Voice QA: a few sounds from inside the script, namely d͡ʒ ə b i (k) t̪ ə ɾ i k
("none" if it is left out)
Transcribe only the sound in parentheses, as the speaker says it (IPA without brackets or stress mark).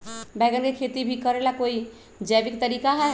k